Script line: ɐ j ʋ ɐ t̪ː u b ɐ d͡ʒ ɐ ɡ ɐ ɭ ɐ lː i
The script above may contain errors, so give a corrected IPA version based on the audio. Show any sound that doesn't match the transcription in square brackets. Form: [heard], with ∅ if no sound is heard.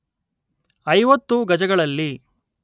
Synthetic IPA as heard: ɐ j ʋ ɐ t̪ː u [ɡ] ɐ d͡ʒ ɐ ɡ ɐ ɭ ɐ lː i